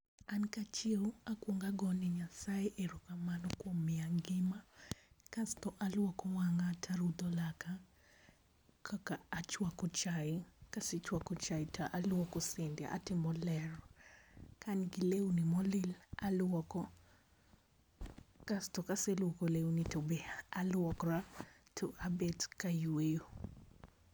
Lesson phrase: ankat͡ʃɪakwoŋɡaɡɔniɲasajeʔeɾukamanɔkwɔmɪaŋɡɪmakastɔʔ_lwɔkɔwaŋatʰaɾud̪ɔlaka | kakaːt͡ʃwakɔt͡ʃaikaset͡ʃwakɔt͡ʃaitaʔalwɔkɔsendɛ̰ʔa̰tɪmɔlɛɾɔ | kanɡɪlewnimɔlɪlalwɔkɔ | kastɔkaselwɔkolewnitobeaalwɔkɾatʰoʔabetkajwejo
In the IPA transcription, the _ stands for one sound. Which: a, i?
a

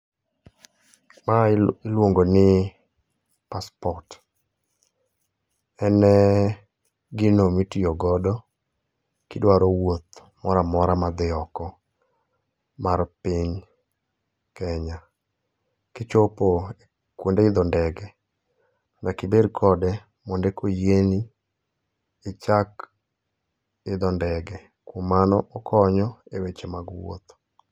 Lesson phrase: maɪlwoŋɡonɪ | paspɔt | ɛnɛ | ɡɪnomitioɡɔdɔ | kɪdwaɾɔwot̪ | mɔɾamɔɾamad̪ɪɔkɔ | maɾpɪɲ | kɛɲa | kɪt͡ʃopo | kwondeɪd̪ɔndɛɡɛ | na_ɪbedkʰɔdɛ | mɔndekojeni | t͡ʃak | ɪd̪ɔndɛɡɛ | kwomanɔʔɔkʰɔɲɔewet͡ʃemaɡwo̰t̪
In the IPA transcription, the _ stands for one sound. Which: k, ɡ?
k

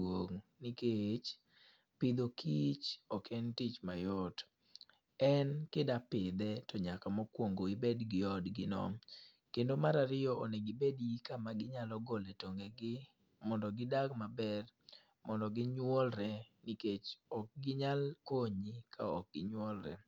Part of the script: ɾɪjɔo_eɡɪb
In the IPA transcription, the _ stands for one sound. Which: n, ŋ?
n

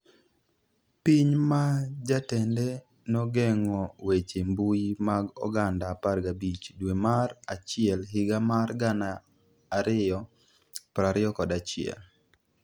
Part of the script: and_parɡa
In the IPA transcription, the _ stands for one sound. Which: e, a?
a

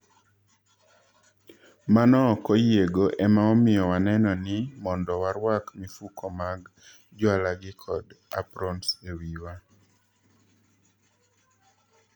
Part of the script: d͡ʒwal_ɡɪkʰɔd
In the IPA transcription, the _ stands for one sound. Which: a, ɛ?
a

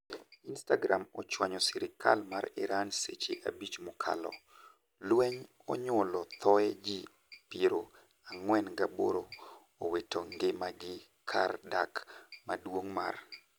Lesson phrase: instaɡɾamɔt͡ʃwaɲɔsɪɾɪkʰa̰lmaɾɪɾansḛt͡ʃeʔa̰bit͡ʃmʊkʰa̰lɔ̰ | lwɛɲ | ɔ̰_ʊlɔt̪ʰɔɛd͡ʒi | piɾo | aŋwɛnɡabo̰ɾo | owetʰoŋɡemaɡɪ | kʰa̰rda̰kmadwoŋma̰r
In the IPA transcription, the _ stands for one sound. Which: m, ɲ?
ɲ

